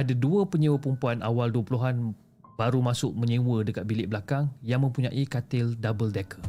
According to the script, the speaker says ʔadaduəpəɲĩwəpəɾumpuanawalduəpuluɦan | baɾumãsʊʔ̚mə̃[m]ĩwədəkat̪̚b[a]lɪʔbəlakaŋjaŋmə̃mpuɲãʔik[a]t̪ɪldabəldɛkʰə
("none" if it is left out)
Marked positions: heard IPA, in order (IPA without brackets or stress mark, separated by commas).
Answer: ɲ, i, a